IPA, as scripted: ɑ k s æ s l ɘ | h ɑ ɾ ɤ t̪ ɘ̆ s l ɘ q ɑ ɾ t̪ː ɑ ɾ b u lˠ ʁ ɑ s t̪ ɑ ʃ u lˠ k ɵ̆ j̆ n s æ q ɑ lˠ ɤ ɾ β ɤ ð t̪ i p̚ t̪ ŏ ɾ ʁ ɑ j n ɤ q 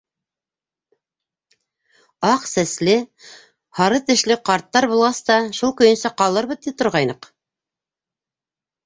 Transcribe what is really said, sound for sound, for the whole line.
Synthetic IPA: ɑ q s æ s l ɘ | h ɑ ɾ ɤ t̪ ɘ̆ ʃ l ɘ q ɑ ɾ t̪ː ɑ ɾ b u lˠ ʁ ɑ s t̪ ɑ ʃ u lˠ k ɵ̆ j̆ n s æ q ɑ lˠ ɤ ɾ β ɤ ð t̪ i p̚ t̪ ŏ ɾ ʁ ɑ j n ɤ q